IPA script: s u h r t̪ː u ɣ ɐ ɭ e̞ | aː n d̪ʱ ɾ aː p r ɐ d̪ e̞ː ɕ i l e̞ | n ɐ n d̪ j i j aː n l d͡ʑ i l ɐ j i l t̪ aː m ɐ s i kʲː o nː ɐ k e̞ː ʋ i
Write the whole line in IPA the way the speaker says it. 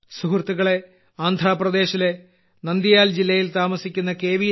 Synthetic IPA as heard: s u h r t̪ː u ɣ ɐ ɭ e̞ | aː n d̪ʱ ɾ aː p r ɐ d̪ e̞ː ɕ i l e̞ | n ɐ n d̪ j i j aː l d͡ʑ i lː ɐ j i l t̪ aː m ɐ s i kʲː u nː ɐ k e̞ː ʋ i